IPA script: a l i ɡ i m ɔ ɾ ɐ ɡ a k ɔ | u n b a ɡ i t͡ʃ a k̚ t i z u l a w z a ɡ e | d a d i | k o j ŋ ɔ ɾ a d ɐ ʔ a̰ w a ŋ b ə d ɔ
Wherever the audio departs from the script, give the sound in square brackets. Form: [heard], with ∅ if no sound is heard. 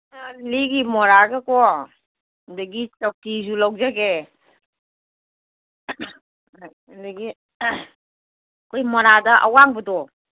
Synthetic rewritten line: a l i ɡ i m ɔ ɾ [a] ɡ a k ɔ | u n [d] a ɡ i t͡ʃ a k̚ t i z u l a w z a ɡ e | d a [ɡ] i | k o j [m] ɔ ɾ a d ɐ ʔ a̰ w a ŋ b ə d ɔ